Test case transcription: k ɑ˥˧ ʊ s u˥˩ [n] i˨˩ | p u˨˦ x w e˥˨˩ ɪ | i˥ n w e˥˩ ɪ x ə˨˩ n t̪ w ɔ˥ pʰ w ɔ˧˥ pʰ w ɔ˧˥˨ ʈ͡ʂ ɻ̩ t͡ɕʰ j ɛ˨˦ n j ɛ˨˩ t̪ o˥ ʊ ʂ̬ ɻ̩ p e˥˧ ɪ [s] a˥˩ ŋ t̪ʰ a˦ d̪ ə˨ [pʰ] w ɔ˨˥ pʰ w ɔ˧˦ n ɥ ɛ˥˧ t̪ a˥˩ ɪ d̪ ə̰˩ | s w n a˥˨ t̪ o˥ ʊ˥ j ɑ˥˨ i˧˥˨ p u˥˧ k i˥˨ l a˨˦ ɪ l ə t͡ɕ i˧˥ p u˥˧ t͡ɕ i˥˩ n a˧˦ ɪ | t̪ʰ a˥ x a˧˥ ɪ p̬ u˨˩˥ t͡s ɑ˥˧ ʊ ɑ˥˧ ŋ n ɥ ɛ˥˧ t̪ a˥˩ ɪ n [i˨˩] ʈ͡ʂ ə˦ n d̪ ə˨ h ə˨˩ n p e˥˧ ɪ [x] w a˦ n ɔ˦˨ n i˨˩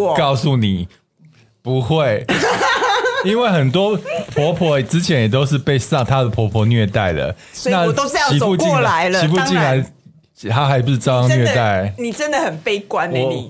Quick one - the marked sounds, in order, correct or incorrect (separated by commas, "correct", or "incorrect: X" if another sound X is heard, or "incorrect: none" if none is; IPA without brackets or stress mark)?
correct, correct, correct, correct, incorrect: k